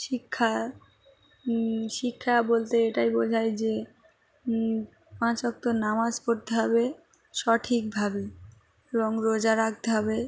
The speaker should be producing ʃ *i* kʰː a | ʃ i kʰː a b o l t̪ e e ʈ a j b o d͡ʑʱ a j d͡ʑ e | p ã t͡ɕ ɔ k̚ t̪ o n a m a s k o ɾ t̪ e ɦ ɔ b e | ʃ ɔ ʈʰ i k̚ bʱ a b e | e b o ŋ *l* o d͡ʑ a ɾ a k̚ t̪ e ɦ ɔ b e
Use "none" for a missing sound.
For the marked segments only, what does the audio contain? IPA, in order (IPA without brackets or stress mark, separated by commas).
i, ɾ